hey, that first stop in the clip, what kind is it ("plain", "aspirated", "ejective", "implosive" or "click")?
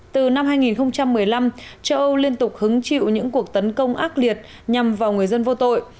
plain